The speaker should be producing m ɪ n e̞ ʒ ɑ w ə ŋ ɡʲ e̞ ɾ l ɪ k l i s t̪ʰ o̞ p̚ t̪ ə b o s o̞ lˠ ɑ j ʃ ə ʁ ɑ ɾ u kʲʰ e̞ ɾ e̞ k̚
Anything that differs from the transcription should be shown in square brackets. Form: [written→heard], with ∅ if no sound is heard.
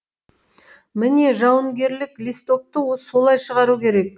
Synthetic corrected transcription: m ɪ n e̞ ʒ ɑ w ə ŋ ɡʲ e̞ ɾ l ɪ k l i s [t̪ʰ→t̪] o̞ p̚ t̪ ə [b→w] o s o̞ lˠ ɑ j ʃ ə ʁ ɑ ɾ u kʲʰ e̞ ɾ e̞ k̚